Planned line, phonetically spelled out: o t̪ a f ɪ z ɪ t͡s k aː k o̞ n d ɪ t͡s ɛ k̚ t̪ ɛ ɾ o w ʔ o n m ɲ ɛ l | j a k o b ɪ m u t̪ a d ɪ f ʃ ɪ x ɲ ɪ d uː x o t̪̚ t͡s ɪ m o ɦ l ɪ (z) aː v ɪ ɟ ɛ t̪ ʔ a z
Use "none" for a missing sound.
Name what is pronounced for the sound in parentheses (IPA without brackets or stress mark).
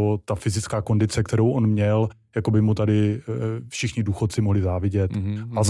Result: z